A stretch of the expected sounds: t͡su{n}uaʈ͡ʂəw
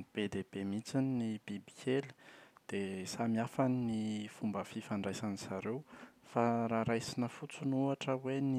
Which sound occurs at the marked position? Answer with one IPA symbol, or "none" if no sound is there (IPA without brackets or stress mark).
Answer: n